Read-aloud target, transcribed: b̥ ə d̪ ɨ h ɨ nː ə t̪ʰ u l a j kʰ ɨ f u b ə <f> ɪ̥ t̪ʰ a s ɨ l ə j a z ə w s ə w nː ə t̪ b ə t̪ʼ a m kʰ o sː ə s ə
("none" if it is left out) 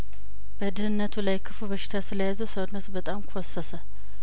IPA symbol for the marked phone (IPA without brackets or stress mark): ʃ